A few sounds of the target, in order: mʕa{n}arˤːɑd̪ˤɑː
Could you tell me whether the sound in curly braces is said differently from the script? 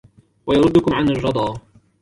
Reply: no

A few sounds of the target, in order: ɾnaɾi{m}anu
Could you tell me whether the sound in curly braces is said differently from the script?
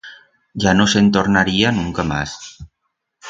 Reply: yes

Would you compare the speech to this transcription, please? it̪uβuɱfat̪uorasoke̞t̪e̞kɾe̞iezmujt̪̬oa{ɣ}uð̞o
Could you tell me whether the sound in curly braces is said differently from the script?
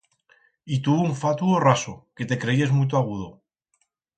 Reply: no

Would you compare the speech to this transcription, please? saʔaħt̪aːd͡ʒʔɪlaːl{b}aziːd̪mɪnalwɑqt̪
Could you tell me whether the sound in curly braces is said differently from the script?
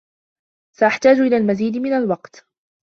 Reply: yes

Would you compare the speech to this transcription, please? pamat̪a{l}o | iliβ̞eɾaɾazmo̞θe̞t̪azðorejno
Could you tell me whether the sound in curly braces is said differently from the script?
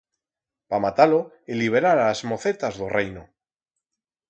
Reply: no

